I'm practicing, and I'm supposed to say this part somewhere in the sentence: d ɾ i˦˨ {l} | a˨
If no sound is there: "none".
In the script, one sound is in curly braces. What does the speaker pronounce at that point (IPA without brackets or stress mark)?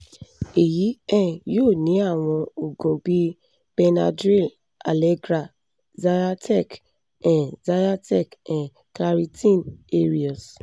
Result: l